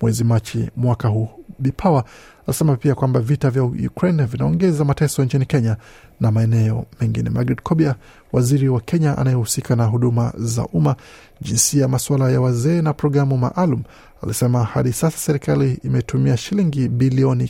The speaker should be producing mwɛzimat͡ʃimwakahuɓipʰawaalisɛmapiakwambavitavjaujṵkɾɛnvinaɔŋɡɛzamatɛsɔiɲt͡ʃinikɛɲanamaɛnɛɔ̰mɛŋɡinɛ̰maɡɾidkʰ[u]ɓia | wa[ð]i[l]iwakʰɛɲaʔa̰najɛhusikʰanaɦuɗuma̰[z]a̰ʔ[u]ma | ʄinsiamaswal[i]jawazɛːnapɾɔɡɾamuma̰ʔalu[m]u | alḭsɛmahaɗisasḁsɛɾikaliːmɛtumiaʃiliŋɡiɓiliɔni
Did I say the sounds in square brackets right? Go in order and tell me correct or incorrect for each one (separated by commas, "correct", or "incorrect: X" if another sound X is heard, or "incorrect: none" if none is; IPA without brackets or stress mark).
incorrect: ɔ, incorrect: z, incorrect: ɾ, correct, correct, incorrect: a, correct